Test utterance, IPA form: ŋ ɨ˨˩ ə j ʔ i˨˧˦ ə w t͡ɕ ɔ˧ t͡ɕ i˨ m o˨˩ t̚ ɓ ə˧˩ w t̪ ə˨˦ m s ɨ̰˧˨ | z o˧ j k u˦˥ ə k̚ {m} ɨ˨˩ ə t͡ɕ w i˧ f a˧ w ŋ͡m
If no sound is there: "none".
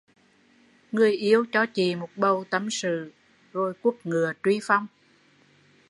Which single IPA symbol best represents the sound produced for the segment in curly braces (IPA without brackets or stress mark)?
ŋ